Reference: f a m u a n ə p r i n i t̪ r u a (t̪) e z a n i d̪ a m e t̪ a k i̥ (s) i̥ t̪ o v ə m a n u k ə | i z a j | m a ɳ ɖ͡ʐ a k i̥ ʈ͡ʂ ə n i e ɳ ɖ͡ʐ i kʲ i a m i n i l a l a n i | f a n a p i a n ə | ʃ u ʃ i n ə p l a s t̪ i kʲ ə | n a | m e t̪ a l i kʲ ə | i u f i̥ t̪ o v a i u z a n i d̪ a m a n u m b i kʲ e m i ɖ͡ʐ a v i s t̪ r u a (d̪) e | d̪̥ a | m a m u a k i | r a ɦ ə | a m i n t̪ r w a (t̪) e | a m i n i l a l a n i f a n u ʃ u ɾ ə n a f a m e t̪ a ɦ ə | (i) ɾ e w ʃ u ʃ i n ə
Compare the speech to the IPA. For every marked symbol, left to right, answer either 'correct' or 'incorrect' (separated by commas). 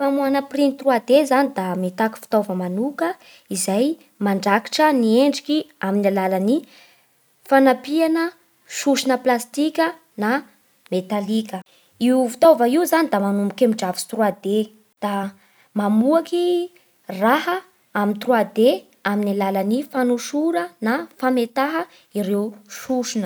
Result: incorrect, incorrect, correct, incorrect, correct